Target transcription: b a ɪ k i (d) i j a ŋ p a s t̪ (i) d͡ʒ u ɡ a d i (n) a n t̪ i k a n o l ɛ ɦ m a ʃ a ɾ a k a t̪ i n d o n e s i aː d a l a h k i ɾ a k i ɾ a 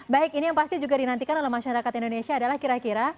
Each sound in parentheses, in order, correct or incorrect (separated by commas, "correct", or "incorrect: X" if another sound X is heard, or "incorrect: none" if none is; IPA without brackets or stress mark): incorrect: n, correct, correct